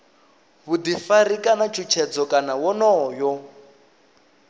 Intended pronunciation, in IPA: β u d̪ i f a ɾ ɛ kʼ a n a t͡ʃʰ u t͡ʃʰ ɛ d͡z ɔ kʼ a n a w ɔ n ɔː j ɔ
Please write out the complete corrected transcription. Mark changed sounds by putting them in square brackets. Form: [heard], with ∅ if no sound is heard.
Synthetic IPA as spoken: β u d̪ i f a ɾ [i] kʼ a n a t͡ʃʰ u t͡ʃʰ ɛ d͡z ɔ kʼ a n a w ɔ n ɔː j ɔ